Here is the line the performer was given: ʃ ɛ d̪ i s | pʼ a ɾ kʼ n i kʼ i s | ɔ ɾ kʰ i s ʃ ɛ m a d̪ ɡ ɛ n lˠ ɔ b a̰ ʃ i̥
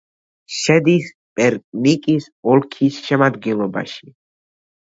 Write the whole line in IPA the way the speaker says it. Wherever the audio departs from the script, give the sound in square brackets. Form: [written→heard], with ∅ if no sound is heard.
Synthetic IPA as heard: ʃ ɛ d̪ i s | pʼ [a→ɛ] ɾ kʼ n i kʼ i s | ɔ [ɾ→l] kʰ i s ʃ ɛ m a d̪ ɡ ɛ n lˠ ɔ b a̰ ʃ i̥